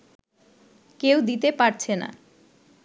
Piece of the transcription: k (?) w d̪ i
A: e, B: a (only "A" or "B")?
A